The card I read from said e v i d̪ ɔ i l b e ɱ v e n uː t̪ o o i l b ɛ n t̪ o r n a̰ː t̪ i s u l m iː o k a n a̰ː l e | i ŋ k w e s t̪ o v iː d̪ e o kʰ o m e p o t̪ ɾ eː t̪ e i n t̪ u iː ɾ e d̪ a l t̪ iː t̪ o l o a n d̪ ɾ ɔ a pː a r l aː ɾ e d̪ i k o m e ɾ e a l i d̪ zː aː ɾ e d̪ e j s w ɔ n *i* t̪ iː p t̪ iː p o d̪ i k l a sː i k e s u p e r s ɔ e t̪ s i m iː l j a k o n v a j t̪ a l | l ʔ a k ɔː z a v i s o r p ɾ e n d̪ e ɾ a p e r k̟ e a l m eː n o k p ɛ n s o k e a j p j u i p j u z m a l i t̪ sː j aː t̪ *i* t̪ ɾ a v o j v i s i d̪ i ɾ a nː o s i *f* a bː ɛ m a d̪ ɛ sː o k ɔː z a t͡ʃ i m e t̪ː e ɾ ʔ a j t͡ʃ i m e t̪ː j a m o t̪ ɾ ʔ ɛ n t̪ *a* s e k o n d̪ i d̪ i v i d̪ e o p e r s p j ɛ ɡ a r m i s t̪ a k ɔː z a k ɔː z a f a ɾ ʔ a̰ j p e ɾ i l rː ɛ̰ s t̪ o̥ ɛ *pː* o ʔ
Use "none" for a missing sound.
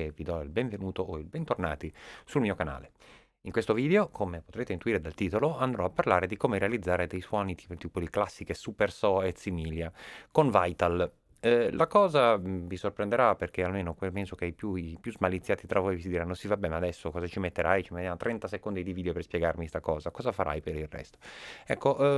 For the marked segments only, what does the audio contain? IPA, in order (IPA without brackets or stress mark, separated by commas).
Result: i, i, v, a, kː